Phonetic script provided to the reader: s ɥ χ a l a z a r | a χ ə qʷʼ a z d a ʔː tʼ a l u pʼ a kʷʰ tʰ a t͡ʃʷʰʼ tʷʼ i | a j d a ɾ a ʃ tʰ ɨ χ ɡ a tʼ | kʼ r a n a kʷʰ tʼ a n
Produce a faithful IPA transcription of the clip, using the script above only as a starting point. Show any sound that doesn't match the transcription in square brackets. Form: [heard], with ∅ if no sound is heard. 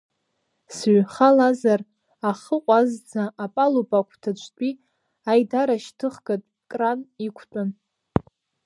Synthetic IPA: s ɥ χ a l a z a r | a χ ə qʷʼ a z [d͡z] a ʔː [pʼ] a l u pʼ a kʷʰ tʰ a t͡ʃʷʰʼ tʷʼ i | a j d a ɾ a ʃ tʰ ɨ χ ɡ a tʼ | kʼ r a n [i] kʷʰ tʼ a n